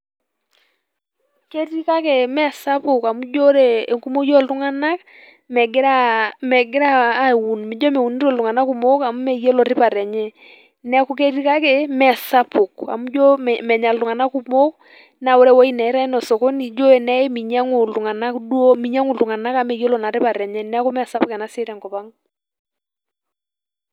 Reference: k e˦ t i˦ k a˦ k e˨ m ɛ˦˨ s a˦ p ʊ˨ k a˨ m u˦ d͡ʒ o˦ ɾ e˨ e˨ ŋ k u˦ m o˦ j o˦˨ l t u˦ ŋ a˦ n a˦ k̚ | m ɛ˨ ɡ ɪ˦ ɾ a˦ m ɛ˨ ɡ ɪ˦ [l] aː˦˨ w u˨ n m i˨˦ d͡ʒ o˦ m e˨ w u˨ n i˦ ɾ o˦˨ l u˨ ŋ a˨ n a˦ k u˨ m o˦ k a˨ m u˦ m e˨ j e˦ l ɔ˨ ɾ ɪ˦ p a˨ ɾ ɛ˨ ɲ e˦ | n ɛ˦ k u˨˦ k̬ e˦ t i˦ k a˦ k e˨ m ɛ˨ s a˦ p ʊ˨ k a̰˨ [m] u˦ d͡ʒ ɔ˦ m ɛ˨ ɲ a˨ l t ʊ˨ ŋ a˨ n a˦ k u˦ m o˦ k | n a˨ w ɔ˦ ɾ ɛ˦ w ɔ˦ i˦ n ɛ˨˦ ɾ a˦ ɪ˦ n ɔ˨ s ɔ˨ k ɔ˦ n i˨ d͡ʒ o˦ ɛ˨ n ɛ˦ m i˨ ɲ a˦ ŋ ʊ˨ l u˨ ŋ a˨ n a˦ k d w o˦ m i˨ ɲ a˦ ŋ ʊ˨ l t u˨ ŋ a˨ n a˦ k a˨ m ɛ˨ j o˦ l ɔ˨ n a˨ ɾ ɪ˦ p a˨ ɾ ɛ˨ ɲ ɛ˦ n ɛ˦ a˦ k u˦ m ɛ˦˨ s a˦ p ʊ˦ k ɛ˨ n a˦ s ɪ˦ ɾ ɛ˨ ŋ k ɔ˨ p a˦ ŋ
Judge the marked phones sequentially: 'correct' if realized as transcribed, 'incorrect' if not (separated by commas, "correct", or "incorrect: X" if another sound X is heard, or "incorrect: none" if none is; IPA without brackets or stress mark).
incorrect: ɾ, correct